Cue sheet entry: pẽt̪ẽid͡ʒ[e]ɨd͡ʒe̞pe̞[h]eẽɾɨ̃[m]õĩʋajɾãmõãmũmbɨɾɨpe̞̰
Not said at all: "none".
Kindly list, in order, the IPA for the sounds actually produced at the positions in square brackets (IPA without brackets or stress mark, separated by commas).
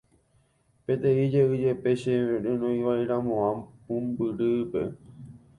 e, ʃ, n